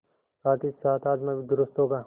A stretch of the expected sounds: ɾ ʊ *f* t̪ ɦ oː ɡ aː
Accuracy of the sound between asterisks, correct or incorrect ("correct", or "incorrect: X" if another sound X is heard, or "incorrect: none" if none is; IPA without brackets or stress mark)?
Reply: incorrect: s